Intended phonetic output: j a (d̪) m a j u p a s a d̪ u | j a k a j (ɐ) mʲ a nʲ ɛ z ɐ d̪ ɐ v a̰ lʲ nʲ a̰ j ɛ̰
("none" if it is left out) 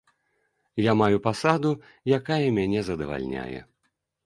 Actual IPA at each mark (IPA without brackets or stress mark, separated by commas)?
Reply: none, ɐ